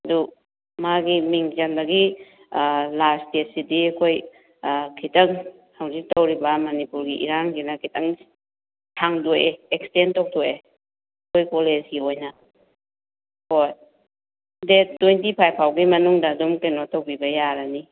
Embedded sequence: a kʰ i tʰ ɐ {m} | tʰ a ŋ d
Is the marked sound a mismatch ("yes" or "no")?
yes